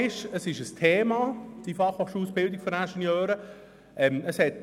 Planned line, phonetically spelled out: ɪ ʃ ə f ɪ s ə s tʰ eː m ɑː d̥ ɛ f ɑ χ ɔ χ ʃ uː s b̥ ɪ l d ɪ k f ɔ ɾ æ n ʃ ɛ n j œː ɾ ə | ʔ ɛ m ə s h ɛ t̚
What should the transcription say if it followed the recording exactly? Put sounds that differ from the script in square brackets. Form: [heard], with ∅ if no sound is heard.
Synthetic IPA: ɪ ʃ ə [s] ɪ [ʃ] ə s tʰ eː m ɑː d̥ [i] f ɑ χ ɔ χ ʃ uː s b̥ ɪ l d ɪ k f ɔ ɾ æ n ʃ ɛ n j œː ɾ ə | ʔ ɛ m ə s h ɛ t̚